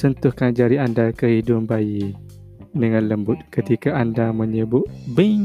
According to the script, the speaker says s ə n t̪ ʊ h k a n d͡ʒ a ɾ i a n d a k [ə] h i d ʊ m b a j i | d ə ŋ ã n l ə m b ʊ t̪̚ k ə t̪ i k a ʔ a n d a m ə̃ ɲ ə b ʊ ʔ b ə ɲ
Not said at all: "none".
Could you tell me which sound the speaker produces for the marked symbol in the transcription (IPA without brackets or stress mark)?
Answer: ə